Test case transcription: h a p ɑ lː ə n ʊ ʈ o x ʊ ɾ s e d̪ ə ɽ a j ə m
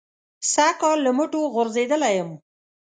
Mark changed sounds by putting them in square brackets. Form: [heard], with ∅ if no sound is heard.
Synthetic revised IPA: [s] a [k] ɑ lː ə [m] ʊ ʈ o [ɣ] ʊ ɾ [z] e d̪ ə [l] a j ə m